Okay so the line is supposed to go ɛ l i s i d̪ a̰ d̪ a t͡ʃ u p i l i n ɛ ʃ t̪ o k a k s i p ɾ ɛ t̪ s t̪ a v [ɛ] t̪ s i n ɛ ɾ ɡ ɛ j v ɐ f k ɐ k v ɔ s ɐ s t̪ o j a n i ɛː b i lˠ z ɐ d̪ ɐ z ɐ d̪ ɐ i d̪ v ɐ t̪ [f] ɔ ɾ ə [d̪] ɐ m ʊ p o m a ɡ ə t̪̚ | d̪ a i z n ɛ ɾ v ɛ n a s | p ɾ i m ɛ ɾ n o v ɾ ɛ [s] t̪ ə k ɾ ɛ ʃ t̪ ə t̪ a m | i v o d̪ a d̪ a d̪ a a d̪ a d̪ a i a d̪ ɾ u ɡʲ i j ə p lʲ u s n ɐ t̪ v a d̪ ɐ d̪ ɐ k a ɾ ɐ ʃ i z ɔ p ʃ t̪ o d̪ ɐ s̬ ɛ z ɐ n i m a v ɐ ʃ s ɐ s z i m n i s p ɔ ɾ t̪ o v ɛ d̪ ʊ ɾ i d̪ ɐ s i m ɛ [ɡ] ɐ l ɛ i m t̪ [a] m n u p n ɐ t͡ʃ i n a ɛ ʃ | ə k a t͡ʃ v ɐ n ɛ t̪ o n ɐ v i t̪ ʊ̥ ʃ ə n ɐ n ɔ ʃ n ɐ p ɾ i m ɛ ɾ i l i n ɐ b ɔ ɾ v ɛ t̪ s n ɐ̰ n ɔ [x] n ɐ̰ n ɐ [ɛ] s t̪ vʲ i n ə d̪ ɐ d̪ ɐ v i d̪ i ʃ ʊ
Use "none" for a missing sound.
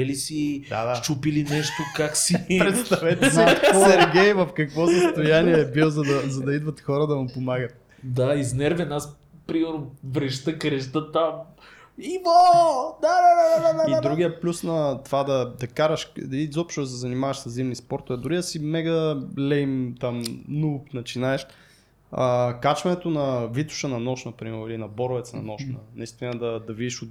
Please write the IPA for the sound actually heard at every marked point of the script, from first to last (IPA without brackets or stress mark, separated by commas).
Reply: ɛ, x, d̪, ʃ, ɡ, a, ʃ, i